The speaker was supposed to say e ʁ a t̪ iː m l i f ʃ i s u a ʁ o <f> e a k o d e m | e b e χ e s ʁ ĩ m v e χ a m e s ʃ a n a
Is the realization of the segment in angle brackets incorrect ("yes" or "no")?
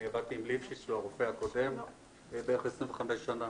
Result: no